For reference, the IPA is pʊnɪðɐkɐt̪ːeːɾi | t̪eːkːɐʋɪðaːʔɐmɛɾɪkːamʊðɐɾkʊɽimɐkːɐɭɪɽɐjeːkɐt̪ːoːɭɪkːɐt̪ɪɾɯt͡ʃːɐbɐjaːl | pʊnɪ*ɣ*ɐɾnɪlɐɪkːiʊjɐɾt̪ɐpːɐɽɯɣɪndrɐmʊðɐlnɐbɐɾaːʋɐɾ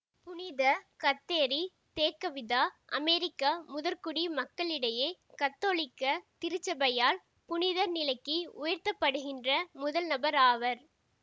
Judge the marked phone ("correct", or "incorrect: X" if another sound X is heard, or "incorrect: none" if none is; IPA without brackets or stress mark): incorrect: ð